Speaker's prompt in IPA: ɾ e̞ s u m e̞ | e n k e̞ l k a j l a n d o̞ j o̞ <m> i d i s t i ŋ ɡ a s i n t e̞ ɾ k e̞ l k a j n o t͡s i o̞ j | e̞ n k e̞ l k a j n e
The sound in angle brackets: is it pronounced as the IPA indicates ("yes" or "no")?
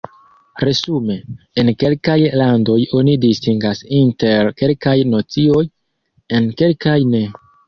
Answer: no